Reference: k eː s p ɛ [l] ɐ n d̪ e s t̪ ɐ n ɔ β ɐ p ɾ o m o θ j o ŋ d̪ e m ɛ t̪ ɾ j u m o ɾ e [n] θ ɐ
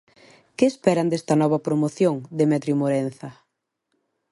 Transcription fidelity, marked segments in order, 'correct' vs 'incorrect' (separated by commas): incorrect, correct